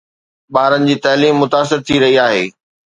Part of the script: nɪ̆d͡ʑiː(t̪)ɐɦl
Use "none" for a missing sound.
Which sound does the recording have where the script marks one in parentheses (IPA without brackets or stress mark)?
t̪